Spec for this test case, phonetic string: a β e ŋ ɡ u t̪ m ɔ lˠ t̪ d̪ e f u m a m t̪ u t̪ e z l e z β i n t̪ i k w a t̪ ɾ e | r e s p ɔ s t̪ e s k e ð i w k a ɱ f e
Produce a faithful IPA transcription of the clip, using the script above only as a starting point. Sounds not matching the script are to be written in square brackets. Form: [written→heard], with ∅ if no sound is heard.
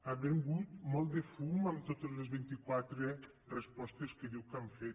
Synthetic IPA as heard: a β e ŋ ɡ u t̪ m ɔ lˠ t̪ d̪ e f u m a m t̪ [u→o] t̪ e z l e z β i n t̪ i k w a t̪ ɾ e | r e s p ɔ s t̪ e s k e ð i w k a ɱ f e